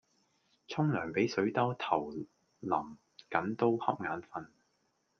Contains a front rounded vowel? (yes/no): yes